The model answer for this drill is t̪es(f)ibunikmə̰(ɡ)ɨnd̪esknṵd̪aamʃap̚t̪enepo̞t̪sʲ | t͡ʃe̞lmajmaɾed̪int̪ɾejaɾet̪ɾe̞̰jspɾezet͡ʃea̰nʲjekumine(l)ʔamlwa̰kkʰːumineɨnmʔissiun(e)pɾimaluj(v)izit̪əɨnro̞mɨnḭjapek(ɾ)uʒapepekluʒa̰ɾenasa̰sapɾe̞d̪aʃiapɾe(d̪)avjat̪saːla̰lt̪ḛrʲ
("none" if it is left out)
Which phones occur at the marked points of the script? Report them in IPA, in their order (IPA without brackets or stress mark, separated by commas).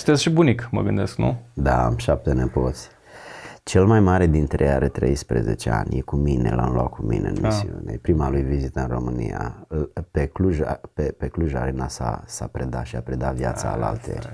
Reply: ʃ, ɡ, l, e, v, l, d̪